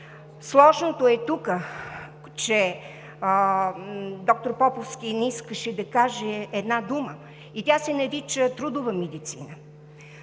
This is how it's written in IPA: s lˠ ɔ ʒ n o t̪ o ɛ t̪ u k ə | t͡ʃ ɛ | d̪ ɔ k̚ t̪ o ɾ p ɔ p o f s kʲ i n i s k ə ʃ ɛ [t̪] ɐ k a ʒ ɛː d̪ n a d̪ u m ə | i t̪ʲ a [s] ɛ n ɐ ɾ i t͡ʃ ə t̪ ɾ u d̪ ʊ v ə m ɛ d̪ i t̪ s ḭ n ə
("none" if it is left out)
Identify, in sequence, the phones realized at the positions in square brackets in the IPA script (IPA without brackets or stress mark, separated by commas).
d̪, s